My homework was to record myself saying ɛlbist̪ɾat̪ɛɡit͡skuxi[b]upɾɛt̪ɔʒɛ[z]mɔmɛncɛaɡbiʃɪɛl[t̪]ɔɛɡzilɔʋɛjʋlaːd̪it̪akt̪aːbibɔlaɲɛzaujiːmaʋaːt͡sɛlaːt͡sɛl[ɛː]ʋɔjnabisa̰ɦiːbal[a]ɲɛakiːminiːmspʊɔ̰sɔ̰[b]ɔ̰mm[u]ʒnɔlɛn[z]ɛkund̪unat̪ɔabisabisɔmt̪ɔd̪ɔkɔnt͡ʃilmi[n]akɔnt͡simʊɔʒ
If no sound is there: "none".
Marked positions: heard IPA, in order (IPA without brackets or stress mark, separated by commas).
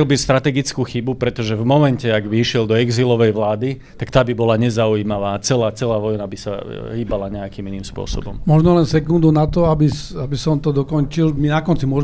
b, v, d̪, aː, a, b, ɔ, s, n